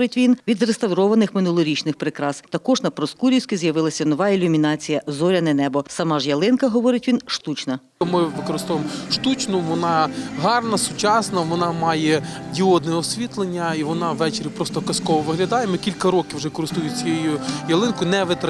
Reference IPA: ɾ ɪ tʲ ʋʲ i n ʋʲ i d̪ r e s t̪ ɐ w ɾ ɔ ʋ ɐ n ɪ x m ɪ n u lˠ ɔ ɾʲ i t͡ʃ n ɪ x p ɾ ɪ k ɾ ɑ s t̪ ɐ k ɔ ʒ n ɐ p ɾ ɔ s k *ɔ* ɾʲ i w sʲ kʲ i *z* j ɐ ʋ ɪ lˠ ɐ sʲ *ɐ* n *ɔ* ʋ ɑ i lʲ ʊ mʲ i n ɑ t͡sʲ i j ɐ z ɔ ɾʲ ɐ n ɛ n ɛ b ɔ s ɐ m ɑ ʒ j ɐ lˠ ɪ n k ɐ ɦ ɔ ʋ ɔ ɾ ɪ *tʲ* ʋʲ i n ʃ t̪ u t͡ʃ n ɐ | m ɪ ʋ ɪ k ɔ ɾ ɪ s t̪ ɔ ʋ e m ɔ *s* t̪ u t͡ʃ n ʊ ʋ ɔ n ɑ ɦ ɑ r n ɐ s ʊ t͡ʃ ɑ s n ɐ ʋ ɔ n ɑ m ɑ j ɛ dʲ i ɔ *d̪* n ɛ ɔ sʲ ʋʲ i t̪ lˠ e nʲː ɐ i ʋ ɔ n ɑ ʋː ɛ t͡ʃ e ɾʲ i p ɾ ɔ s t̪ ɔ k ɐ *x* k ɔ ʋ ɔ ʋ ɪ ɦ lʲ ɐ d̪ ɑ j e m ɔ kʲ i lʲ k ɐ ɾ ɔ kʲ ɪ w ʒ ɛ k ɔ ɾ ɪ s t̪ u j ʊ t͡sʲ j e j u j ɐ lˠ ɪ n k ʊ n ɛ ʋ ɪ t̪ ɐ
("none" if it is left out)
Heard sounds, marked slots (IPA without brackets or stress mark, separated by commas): u, z, ɐ, ɔ, tʲ, ʃ, d̪, s